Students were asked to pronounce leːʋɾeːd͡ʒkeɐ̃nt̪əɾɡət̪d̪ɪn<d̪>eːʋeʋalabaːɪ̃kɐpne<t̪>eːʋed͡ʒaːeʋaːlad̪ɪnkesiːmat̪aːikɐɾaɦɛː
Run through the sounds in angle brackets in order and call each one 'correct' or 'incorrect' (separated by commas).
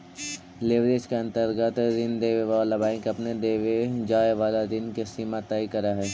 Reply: correct, incorrect